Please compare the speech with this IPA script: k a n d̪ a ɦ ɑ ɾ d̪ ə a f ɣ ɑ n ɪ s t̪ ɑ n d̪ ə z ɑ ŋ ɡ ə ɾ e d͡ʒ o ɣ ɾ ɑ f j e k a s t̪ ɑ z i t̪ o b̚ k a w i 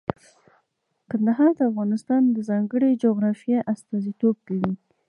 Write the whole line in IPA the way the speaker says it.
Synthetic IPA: k a n d̪ a ɦ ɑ ɾ d̪ ə a f ɣ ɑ n ɪ s t̪ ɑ n d̪ ə z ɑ ŋ ɡ ə ɽ e d͡ʒ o ɣ ɾ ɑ f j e ʔ a s t̪ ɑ z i t̪ o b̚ k a w i